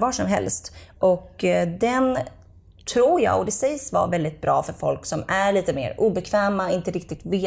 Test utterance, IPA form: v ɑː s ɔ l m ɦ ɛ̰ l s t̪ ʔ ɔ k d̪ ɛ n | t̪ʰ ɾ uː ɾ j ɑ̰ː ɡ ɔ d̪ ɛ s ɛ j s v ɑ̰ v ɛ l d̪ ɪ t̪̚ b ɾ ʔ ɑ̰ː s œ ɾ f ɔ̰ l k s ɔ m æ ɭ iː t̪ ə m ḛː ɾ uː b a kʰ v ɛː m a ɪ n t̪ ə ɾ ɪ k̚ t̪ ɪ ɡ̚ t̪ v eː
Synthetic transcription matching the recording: v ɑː ʂ ɔ m ɦ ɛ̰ l s t̪ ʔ ɔ k d̪ ɛ n | t̪ʰ ɾ uː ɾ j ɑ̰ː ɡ ɔ d̪ ɛ s ɛ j s v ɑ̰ v ɛ l d̪ ɪ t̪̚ b ɾ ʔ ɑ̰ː f œ ɾ f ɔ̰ l k s ɔ m æ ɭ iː t̪ ə m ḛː ɾ uː b ɛ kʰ v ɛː m a ɪ n t̪ ə ɾ ɪ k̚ t̪ ɪ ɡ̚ t̪ v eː